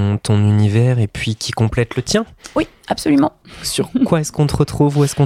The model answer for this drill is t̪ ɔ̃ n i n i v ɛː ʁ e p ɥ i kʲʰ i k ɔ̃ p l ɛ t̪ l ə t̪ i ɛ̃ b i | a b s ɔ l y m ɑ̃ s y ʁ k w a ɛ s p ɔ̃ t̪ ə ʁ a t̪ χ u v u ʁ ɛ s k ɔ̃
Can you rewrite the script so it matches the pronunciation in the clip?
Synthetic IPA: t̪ ɔ̃ n y n i v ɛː ʁ e p ɥ i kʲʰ i k ɔ̃ p l ɛ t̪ l ə t̪ j ɛ̃ w i | a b s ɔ l y m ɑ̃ s y ʁ k w a ɛ s k ɔ̃ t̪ ə ʁ ə t̪ χ u v u ɛ s k ɔ̃